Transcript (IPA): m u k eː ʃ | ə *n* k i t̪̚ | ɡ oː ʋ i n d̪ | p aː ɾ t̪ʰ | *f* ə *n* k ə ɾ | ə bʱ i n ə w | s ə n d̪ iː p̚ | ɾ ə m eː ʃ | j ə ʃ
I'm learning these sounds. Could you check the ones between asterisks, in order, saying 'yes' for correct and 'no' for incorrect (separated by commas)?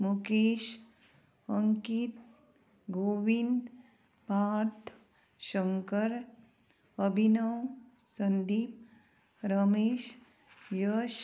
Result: no, no, no